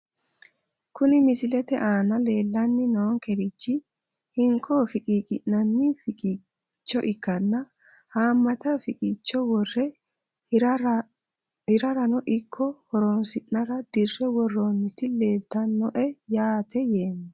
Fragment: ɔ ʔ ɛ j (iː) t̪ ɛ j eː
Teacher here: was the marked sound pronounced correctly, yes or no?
no